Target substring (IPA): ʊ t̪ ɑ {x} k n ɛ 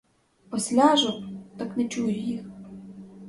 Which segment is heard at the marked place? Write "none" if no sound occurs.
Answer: none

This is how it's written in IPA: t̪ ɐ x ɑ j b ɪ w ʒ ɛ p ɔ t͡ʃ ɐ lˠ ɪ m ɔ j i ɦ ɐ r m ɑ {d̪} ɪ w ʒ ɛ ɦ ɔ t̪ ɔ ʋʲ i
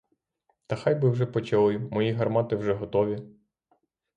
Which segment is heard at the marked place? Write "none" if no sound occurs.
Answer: t̪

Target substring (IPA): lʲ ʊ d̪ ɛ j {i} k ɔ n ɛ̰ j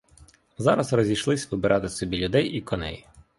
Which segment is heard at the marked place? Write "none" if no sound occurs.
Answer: i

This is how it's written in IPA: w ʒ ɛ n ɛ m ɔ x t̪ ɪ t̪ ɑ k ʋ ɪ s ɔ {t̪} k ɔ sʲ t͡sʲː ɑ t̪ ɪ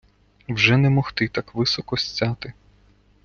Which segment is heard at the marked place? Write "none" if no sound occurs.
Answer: none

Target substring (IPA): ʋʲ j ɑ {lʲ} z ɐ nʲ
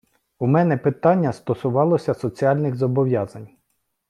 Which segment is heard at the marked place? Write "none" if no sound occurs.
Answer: none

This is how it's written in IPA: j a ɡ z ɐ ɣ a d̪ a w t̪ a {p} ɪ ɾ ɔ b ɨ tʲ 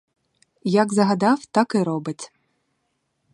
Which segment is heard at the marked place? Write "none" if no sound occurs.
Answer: k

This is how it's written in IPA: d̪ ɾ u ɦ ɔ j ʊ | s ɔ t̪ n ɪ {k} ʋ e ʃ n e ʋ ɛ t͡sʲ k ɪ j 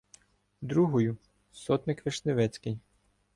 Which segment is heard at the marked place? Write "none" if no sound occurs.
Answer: k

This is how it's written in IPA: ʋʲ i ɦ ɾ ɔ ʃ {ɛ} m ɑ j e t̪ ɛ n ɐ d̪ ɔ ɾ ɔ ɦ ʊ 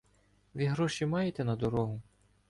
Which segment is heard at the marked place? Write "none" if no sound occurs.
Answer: i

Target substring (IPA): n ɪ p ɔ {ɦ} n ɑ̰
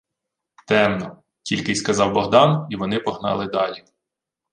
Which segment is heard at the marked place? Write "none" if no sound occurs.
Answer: ɦ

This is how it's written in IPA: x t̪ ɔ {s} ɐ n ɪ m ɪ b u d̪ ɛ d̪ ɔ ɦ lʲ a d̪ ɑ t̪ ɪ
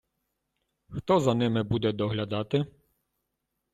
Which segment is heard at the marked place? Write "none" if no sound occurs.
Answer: z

